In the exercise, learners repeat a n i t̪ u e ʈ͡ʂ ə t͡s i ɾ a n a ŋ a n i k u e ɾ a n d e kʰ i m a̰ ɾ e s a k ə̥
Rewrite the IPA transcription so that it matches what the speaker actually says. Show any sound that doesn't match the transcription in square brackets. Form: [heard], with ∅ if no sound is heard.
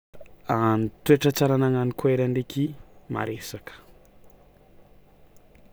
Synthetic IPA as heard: a n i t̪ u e ʈ͡ʂ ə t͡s [a] ɾ a n a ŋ a n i k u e ɾ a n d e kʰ i m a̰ ɾ e s a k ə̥